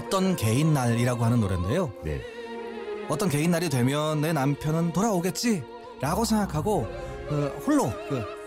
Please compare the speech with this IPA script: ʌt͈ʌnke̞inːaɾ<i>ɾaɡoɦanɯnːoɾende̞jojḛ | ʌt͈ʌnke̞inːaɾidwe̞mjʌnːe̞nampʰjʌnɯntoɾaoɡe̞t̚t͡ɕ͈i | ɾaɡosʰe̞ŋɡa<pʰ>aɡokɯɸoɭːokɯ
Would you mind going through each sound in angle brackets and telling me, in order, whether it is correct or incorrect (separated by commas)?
correct, incorrect